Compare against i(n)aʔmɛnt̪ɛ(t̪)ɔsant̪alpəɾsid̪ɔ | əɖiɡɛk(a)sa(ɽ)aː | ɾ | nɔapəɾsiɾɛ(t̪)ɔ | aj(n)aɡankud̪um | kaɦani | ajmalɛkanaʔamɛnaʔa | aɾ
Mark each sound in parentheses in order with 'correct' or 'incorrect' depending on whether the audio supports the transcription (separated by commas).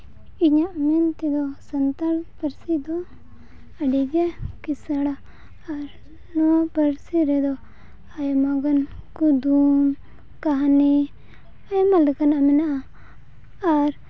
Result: incorrect, incorrect, incorrect, correct, incorrect, incorrect